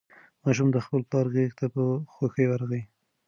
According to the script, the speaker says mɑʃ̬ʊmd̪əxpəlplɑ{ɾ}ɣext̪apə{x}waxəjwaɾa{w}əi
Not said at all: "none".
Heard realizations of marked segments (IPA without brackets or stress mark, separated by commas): ɾ, x, ɣ